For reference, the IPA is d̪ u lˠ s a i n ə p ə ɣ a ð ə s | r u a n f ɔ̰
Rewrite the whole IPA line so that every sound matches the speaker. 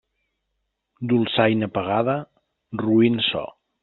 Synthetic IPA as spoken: d̪ u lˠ s a j n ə p ə ɣ a ð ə | r u i n s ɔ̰